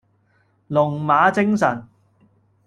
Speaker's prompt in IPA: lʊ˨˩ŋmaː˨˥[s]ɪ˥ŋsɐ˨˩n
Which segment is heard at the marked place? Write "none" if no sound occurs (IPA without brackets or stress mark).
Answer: t͡s